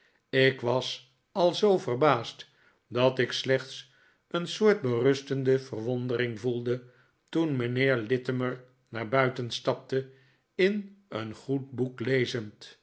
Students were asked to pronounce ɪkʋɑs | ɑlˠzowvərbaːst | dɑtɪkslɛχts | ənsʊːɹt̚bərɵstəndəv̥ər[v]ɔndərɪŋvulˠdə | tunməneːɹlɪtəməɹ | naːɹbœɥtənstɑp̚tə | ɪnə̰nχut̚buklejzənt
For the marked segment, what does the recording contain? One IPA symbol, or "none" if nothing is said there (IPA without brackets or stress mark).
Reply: ʋ